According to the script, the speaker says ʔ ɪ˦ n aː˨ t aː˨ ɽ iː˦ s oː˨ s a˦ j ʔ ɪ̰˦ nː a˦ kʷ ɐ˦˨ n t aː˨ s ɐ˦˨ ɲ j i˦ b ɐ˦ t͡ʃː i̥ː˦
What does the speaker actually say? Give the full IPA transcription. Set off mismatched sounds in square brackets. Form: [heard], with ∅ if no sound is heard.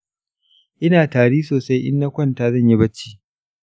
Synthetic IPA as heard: ʔ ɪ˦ n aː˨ t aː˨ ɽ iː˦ s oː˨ s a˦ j ʔ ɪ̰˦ nː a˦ kʷ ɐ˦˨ n t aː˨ [z] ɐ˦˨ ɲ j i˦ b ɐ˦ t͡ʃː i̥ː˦

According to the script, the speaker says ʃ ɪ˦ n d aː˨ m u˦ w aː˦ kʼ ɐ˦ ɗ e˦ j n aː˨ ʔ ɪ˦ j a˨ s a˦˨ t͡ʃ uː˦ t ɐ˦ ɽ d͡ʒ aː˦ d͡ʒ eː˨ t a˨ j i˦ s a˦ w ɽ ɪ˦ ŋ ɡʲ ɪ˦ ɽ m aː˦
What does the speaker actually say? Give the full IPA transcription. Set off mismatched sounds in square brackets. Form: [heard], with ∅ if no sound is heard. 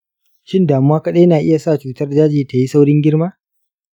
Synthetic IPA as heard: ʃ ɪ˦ n d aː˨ m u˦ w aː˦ [k] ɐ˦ ɗ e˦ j n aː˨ ʔ ɪ˦ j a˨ s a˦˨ t͡ʃ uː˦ t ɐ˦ [r] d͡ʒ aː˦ d͡ʒ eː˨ t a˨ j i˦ s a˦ w ɽ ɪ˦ ŋ ɡʲ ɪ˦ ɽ m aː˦

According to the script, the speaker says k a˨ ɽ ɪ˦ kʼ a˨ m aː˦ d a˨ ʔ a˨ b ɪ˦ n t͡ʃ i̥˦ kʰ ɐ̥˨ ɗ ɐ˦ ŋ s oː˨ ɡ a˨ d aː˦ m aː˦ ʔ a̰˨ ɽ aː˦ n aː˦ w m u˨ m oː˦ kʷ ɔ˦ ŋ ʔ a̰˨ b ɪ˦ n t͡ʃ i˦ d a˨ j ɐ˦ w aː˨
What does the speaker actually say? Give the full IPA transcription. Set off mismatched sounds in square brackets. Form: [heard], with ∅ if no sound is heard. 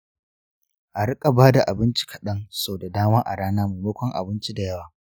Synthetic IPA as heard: [ʔ] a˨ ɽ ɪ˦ kʼ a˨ [b] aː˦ d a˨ ʔ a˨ b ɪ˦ n t͡ʃ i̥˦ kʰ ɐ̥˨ ɗ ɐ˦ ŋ s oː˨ [d] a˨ d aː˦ m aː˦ ʔ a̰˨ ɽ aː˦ n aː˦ [∅] m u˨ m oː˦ kʷ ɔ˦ ŋ ʔ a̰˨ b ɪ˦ n t͡ʃ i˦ d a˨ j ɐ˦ w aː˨

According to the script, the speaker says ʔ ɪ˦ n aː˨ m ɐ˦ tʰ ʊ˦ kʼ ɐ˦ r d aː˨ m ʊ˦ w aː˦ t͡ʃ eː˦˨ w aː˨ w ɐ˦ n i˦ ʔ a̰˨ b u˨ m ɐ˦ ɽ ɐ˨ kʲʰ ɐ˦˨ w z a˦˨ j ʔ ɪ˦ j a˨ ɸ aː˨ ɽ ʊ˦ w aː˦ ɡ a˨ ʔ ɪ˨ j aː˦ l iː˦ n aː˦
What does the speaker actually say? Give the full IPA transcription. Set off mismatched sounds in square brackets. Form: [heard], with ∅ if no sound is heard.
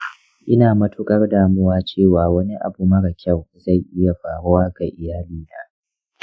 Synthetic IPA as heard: ʔ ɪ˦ n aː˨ m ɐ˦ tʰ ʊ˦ kʼ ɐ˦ r d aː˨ m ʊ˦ w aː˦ t͡ʃ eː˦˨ w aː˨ w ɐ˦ n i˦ ʔ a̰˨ b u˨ m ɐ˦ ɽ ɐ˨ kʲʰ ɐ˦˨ w z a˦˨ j ʔ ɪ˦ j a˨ ɸ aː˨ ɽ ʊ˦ w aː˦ ɡ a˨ ʔ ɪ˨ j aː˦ l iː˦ n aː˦

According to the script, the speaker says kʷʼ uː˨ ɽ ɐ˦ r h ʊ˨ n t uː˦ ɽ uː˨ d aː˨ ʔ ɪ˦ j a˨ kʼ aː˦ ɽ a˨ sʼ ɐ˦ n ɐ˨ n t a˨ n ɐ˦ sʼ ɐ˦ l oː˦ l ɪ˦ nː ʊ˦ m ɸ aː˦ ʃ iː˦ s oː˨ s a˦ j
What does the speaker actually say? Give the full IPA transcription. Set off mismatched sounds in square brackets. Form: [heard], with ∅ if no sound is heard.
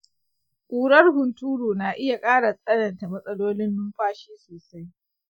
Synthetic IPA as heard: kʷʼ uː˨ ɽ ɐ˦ r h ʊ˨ n t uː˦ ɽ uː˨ [n] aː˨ ʔ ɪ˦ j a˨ kʼ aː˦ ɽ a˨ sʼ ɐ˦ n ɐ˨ n t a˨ [m] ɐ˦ sʼ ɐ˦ l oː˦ l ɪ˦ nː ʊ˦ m ɸ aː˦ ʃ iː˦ s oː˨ s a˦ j

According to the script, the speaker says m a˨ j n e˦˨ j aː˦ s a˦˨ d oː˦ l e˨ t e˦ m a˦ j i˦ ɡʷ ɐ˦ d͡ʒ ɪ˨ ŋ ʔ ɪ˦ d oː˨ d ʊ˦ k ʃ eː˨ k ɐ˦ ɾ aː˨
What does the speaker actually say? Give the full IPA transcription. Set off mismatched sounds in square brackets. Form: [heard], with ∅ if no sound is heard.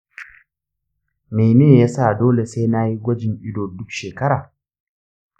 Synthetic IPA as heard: m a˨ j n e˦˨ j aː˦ s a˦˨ d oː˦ l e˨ [s] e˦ [n] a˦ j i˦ ɡʷ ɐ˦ d͡ʒ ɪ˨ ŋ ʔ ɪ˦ d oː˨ d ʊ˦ k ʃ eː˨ k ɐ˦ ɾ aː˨

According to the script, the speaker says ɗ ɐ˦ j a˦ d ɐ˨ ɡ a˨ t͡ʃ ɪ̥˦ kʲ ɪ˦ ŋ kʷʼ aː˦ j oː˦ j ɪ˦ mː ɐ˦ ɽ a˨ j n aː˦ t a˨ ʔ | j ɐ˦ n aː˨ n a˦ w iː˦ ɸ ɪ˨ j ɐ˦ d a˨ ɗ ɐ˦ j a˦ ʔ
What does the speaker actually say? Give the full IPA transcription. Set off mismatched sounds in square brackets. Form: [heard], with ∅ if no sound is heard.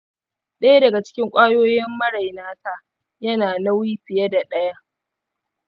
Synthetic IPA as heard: ɗ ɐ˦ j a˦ d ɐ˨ ɡ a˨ t͡ʃ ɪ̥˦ kʲ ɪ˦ ŋ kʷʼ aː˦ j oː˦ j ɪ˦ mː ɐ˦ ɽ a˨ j n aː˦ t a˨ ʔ | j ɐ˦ n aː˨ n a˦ w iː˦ ɸ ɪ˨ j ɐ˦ d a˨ ɗ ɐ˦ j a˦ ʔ

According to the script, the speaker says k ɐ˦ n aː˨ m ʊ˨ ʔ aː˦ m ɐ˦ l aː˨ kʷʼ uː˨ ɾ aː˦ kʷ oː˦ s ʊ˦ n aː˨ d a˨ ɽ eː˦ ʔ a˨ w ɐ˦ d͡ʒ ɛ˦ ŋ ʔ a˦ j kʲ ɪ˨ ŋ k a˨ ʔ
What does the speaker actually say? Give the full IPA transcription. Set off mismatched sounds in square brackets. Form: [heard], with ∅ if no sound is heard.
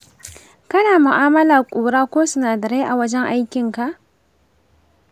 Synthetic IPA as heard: k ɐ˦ n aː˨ m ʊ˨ ʔ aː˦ m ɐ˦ l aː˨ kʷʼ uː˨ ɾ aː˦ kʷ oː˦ s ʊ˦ n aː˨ d [ɐ˨] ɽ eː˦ ʔ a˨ w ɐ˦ d͡ʒ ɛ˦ ŋ ʔ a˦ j kʲ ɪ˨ ŋ k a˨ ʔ

